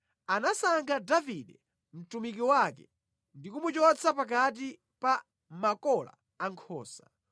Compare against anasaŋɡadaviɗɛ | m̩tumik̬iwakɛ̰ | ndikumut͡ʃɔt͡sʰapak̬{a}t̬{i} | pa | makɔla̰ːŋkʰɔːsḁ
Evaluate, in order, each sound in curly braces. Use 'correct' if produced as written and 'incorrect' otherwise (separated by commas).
correct, correct